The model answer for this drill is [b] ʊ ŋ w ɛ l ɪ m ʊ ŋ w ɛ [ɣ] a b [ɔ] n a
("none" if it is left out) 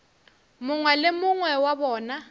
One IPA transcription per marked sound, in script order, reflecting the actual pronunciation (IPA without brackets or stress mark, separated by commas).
m, w, ɔː